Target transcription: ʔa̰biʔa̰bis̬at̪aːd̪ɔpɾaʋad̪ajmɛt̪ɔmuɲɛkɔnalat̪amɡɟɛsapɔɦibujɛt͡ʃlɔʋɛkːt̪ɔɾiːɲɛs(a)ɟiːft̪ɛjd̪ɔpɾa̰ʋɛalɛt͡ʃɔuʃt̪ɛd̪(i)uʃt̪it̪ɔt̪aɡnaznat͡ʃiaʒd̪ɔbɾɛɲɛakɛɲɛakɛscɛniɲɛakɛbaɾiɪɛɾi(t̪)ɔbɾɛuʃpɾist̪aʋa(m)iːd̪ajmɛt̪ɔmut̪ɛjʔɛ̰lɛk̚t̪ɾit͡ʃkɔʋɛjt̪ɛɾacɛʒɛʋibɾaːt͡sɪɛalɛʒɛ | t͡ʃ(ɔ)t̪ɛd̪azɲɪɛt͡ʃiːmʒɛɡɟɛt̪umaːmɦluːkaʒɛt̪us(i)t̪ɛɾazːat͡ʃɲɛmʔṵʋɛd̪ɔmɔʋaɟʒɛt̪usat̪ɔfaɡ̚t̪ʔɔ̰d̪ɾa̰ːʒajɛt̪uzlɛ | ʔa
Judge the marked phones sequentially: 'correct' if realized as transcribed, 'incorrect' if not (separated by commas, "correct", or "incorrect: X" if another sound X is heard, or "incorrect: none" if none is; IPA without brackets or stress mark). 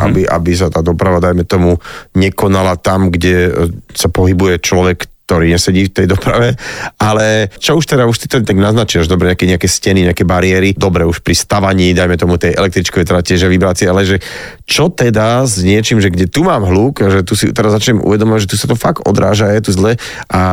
incorrect: ɛ, incorrect: a, incorrect: d̪, incorrect: ɲ, correct, correct